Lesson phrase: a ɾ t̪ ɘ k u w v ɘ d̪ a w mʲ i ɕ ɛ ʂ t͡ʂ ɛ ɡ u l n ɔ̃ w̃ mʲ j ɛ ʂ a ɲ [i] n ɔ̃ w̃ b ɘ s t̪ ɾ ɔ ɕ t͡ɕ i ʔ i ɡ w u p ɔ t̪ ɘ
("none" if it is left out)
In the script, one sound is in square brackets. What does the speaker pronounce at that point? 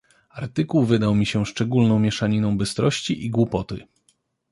i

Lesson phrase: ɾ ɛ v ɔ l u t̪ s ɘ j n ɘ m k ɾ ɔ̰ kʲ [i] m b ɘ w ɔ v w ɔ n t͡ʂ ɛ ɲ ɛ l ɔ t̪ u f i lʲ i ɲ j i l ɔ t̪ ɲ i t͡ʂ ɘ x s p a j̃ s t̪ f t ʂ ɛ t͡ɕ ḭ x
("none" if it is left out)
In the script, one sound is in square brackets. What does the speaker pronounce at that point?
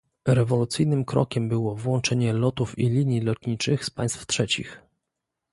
ɛ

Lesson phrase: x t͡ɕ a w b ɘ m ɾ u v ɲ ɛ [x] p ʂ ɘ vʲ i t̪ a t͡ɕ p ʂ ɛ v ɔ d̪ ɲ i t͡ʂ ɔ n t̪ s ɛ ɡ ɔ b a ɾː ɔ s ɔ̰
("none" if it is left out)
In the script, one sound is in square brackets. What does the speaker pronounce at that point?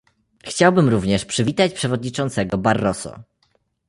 ʂ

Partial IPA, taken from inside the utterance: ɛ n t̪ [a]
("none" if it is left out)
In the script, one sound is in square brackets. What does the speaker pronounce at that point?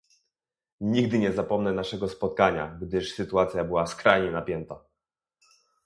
a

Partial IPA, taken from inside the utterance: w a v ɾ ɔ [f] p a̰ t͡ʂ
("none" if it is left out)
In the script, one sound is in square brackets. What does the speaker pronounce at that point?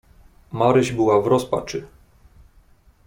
s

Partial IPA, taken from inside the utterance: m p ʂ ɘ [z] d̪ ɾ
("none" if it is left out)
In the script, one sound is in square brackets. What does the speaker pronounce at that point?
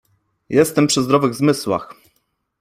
z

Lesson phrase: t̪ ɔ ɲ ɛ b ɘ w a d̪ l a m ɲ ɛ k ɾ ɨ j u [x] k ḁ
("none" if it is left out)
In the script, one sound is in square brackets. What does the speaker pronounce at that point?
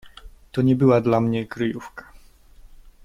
f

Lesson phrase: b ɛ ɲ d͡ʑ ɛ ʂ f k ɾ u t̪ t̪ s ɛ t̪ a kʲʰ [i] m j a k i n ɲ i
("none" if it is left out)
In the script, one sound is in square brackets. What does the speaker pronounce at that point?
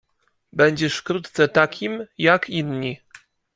i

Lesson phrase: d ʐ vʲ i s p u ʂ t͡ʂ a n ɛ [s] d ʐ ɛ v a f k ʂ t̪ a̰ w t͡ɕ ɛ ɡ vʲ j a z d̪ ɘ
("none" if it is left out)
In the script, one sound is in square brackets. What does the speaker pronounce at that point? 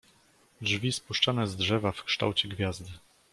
z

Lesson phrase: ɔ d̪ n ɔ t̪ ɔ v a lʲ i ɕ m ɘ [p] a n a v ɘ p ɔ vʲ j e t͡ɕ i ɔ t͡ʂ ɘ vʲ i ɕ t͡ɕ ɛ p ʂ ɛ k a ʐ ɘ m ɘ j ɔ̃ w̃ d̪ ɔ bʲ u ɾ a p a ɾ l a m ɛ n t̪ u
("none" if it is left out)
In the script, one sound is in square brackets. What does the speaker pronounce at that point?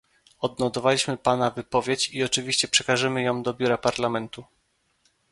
p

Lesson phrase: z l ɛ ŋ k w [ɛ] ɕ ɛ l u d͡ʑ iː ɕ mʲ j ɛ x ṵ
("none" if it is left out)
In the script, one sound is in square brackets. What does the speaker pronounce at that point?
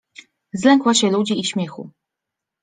a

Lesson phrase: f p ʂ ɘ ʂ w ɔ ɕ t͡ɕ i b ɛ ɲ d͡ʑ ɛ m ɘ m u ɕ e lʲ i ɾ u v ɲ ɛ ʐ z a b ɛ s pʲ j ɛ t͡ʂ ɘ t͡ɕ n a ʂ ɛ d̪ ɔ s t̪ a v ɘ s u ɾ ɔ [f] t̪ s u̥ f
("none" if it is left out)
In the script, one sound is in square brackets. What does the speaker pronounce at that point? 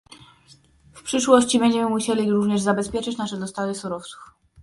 f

